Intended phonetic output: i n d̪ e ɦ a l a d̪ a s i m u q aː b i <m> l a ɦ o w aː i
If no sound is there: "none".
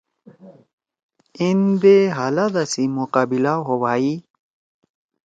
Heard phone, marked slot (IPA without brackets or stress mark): none